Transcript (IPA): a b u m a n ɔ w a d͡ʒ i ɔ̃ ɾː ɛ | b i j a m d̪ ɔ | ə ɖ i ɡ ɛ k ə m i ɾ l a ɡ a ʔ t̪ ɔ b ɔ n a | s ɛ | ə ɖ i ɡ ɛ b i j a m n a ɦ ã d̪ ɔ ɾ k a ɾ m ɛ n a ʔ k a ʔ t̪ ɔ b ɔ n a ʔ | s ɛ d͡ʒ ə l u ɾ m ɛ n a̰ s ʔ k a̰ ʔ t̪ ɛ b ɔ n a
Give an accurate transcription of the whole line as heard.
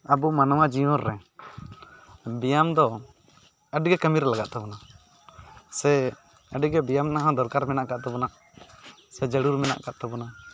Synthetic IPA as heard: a b u m a n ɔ w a d͡ʒ i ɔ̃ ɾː ɛ | b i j a m d̪ ɔ | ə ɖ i ɡ ɛ k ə m i ɾ l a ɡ a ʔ t̪ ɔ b ɔ n a | s ɛ | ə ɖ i ɡ ɛ b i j a m n a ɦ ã d̪ ɔ ɾ k a ɾ m ɛ n a ʔ k a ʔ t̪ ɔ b ɔ n a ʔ | s ɛ d͡ʒ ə ɽ u ɾ m ɛ n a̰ ʔ k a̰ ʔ t̪ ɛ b ɔ n a